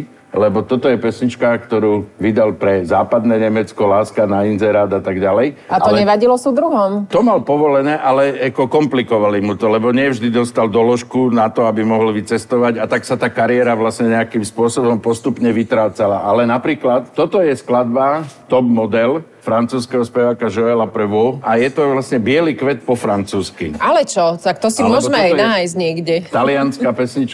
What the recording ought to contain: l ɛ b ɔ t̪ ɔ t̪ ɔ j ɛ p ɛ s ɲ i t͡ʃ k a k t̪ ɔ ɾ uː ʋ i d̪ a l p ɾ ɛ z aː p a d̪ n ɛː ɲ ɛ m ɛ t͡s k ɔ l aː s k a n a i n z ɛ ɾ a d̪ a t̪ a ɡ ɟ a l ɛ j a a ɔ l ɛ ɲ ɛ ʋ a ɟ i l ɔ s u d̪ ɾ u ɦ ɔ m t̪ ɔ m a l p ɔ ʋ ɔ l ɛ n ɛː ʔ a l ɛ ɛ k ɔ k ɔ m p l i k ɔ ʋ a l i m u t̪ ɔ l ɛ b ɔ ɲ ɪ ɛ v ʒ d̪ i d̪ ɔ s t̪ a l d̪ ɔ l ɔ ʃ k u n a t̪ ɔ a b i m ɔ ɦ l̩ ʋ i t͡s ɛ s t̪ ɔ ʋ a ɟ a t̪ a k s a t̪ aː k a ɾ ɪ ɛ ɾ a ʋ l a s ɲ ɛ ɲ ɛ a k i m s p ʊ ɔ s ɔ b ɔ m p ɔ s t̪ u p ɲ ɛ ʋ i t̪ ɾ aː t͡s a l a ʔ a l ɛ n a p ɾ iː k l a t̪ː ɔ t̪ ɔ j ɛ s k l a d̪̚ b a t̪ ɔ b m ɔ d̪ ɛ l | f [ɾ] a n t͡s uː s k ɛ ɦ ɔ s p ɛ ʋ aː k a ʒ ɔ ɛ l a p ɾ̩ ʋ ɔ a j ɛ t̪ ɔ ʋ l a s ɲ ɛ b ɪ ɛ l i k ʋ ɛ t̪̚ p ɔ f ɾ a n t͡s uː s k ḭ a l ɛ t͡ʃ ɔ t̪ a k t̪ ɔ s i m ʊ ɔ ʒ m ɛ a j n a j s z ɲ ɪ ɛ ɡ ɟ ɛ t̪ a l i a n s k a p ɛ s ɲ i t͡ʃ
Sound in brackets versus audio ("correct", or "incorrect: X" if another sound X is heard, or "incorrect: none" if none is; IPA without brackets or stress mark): correct